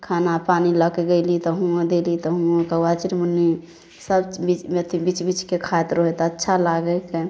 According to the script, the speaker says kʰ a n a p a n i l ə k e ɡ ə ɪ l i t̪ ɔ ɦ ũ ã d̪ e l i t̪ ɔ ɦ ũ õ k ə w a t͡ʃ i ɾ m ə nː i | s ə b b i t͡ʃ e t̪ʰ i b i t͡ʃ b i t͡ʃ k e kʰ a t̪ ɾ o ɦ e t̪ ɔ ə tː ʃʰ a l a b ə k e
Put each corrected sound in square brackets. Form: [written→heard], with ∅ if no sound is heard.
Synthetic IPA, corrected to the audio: kʰ a n a p a n i l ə k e ɡ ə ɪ l i t̪ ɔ ɦ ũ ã d̪ e l i t̪ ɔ ɦ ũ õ k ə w a t͡ʃ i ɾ m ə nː i | s ə b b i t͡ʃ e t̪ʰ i b i t͡ʃ b i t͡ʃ k e kʰ a t̪ ɾ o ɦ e t̪ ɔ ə tː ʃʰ a l a [b→ɡ] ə k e